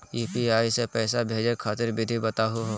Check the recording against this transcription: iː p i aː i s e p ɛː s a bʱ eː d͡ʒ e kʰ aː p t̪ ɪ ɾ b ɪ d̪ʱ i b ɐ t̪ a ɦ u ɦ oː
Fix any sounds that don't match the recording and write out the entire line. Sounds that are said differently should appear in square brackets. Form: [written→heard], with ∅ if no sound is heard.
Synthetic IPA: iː p i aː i s e p ɛː s a bʱ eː d͡ʒ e kʰ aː [p→∅] t̪ ɪ ɾ b ɪ d̪ʱ i b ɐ t̪ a ɦ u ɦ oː